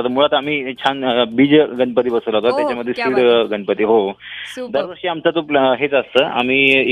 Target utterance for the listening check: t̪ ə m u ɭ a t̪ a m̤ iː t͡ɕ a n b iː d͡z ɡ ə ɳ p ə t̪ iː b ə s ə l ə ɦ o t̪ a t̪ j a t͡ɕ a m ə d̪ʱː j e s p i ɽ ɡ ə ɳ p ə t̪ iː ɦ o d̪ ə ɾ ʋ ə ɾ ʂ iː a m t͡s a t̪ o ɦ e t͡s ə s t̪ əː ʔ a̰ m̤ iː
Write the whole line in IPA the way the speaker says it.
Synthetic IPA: t̪ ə m u ɭ a t̪ a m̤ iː t͡ɕʰ a n b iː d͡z ɡ ə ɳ p ə t̪ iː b ə s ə l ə ɦ o t̪ a t̪ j a t͡ɕ a m ə d̪ʱː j e s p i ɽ ɡ ə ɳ p ə t̪ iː ɦ o d̪ ə ɾ ʋ ə ɾ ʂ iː a m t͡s a t̪ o ɦ e t͡s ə s t̪ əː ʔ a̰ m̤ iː